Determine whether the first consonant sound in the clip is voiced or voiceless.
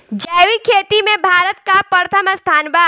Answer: voiced